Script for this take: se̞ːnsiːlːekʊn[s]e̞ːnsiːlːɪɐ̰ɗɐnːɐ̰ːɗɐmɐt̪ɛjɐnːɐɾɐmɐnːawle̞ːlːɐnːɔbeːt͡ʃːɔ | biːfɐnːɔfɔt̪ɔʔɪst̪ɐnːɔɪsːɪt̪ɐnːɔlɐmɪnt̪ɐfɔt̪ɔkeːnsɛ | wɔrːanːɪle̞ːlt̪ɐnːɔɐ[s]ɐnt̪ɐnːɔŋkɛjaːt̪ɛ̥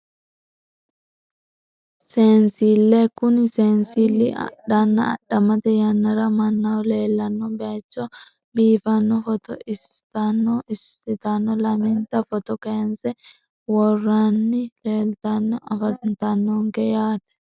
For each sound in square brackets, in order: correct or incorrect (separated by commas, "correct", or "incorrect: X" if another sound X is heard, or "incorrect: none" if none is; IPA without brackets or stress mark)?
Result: correct, incorrect: f